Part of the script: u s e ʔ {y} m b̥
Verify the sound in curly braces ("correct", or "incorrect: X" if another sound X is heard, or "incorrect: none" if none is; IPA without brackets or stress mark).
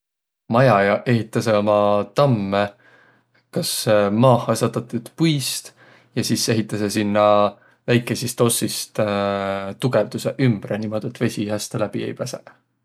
correct